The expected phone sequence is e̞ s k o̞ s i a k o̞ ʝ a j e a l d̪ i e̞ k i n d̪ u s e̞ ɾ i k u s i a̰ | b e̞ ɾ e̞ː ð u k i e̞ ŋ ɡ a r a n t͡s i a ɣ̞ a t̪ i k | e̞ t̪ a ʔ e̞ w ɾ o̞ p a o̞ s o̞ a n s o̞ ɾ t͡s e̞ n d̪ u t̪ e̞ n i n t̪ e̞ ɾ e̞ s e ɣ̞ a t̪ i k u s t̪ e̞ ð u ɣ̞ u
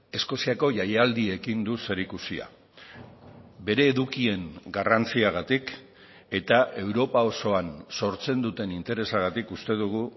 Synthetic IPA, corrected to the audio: e̞ s k o̞ s i a k o̞ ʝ a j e a l d̪ i e̞ k i n d̪ u s e̞ ɾ i k u s i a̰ | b e̞ ɾ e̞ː ð u k i e̞ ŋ ɡ a r a n t͡s i a ɣ̞ a t̪ i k | e̞ t̪ a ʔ e̞ w ɾ o̞ p a o̞ s o̞ a n s o̞ ɾ t͡s e̞ n d̪ u t̪ e̞ n i n t̪ e̞ ɾ e̞ s a ɣ̞ a t̪ i k u s t̪ e̞ ð u ɣ̞ u